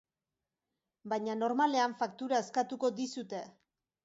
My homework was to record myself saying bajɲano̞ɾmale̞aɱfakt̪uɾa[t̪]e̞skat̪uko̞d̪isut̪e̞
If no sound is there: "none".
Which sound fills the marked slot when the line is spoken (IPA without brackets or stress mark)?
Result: none